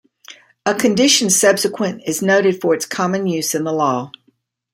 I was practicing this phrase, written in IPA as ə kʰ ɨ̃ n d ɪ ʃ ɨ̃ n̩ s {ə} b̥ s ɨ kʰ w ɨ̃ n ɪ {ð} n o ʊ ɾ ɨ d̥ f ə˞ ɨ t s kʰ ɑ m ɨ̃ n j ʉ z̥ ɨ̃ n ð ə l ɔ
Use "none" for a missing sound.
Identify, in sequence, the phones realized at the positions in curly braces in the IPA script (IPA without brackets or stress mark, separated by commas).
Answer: ʌ, z